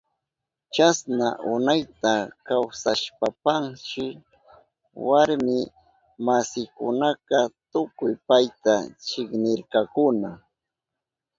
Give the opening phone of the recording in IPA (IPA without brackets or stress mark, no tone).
t͡ʃ